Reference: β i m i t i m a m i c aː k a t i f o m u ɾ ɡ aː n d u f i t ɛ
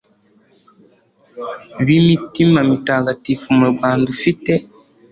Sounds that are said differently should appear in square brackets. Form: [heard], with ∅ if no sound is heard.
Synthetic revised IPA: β i m i t i m a m i [t] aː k a t i f [u] m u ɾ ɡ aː n d u f i t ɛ